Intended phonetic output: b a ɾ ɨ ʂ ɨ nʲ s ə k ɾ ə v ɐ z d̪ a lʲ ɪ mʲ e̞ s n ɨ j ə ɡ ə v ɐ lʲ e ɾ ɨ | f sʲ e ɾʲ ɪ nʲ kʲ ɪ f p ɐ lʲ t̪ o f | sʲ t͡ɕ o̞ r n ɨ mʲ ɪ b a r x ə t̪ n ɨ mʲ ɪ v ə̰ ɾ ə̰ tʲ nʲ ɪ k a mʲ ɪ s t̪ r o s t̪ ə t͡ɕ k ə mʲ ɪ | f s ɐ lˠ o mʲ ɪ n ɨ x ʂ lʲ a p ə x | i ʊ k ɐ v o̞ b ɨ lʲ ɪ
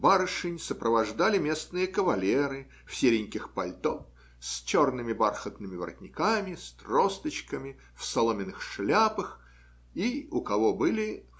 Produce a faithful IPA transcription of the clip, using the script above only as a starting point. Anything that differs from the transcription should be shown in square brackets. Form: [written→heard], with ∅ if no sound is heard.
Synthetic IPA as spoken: b a ɾ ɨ ʂ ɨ nʲ s ə [k→p] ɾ ə v ɐ [z→ʐ] d̪ a lʲ ɪ mʲ e̞ s n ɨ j ə [ɡ→k] ə v ɐ lʲ e ɾ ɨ | f sʲ e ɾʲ ɪ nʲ kʲ ɪ [f→x] p ɐ lʲ t̪ o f | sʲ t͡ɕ o̞ r n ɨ mʲ ɪ b a r x ə t̪ n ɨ mʲ ɪ v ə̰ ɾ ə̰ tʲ nʲ ɪ k a mʲ ɪ s t̪ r o s t̪ ə t͡ɕ k ə mʲ ɪ | f s ɐ lˠ o mʲ ɪ n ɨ x ʂ lʲ a p ə x | i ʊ k ɐ v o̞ b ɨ lʲ ɪ